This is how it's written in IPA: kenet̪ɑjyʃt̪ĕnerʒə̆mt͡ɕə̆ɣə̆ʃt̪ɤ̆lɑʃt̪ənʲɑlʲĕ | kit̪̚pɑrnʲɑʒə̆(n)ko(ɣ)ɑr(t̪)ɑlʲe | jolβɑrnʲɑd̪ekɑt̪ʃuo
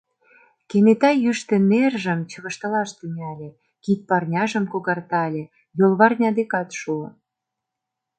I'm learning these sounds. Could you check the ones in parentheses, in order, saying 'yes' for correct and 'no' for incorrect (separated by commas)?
no, yes, yes